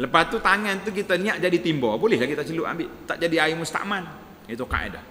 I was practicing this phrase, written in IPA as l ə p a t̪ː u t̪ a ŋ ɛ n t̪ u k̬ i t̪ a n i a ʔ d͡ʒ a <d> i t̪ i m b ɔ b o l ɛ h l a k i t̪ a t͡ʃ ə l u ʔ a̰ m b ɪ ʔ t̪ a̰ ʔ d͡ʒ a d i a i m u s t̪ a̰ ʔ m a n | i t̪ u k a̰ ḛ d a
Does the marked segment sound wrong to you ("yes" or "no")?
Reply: no